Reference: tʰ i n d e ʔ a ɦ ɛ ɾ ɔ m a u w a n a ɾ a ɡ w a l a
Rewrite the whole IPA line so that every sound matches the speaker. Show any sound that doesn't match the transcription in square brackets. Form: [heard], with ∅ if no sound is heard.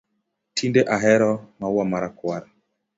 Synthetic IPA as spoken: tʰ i n d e ʔ a ɦ ɛ ɾ ɔ m a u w a [m] a ɾ a [k] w a [ɾ] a